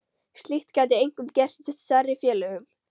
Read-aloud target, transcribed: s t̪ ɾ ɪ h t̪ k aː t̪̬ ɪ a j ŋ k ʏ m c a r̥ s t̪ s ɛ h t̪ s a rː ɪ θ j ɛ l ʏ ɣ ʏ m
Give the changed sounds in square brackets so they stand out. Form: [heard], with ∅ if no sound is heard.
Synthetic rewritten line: s t̪ [l] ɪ h t̪ k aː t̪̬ ɪ [e] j ŋ k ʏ m c [ɛ] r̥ s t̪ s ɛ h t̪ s a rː ɪ [f] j [ɛː] l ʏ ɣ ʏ m